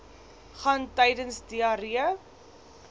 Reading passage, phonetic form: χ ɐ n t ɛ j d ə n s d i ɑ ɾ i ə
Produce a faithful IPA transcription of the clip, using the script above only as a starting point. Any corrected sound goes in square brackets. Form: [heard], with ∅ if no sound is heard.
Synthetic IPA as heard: χ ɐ n t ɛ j d ə n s d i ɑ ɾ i ə